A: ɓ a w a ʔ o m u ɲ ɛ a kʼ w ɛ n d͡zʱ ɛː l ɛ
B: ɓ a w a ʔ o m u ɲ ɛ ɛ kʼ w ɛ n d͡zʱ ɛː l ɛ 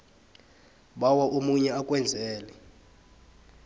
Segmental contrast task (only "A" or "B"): A